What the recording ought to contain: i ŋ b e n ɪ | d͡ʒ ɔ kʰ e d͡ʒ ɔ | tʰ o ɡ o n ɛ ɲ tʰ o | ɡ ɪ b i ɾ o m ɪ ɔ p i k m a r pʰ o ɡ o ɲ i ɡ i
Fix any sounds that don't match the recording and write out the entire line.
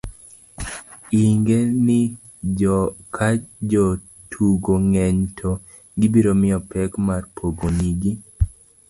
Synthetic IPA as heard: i ŋ ɡ e n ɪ | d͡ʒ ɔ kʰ a d͡ʒ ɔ | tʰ u ɡ o ŋ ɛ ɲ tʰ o | ɡ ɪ b i ɾ o m ɪ ɔ p ɛ k m a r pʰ o ɡ o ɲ i ɡ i